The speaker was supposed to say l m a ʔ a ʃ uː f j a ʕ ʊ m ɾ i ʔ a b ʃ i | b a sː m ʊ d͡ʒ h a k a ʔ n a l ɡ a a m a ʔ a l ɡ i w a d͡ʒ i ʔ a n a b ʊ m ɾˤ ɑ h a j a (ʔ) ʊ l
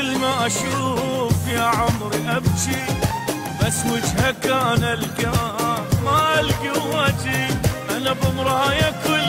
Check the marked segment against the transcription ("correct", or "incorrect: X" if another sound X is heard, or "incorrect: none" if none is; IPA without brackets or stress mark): incorrect: k